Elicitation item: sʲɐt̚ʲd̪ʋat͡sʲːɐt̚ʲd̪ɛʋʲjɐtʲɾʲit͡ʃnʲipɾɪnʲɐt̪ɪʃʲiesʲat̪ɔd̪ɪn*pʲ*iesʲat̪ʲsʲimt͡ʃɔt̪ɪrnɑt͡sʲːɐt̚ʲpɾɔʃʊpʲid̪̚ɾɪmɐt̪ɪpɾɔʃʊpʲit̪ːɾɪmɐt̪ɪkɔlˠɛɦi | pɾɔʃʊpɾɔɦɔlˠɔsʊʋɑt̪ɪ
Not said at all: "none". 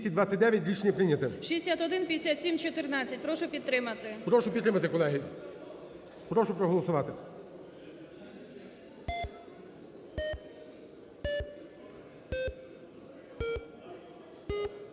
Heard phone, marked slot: pʲ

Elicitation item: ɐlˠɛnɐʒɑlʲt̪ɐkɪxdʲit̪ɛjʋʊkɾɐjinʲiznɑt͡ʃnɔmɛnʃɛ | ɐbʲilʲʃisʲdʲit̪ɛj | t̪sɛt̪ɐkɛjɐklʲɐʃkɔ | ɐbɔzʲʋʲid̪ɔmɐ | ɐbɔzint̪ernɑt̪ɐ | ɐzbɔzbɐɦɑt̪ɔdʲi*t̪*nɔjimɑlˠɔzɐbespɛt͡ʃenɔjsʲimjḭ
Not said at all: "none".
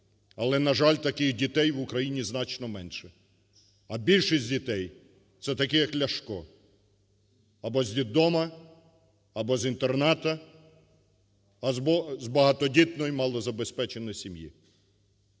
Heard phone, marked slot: t̪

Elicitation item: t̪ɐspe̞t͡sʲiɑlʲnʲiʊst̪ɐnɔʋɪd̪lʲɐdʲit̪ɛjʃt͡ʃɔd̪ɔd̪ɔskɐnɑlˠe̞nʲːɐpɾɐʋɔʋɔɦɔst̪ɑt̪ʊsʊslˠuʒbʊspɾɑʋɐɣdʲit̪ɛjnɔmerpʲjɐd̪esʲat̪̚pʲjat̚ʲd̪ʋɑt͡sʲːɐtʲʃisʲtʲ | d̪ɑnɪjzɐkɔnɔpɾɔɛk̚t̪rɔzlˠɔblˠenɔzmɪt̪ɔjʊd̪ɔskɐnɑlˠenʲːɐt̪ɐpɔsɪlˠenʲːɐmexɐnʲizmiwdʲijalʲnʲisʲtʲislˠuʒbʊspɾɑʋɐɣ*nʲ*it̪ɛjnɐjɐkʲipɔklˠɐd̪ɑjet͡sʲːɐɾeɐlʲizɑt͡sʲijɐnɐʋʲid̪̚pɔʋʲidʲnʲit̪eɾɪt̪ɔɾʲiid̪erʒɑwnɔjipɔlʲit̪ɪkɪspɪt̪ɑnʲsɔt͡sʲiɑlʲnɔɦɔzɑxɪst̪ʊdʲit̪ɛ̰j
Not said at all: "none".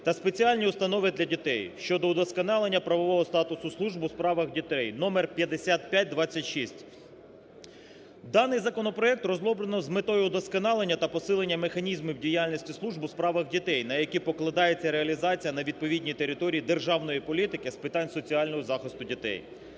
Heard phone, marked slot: dʲ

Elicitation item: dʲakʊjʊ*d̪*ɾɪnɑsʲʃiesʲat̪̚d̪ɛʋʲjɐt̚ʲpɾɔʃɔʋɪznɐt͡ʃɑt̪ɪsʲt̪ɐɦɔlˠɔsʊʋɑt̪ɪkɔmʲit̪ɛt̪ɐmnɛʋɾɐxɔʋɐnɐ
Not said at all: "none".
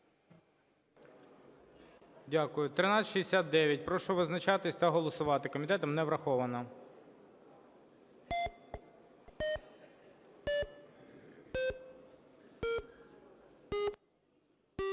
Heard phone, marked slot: t̪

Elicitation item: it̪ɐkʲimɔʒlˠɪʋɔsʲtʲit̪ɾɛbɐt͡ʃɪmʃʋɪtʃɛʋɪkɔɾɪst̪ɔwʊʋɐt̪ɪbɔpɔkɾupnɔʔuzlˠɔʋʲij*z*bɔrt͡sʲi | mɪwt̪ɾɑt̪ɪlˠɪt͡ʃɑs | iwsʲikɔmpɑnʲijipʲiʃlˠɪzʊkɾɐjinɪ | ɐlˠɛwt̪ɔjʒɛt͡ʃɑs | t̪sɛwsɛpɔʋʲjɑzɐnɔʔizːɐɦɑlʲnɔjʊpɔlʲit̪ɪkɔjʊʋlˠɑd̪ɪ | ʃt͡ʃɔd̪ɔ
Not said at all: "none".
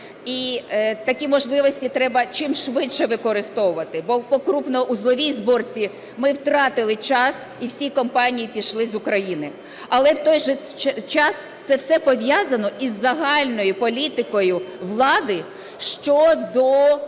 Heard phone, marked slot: z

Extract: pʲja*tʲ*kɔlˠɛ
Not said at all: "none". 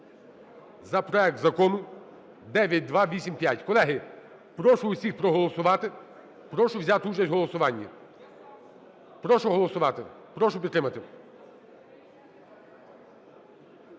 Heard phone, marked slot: tʲ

